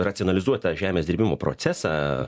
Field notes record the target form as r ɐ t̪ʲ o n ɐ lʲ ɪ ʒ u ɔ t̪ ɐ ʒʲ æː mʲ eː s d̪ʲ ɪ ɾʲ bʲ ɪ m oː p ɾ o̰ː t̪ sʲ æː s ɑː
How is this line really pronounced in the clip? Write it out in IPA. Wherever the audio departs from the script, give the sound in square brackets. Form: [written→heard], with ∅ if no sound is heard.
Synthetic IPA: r ɐ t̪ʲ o n ɐ lʲ ɪ [ʒ→z] u ɔ t̪ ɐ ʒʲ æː mʲ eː s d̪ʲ ɪ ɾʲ bʲ ɪ m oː p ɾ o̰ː t̪ sʲ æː s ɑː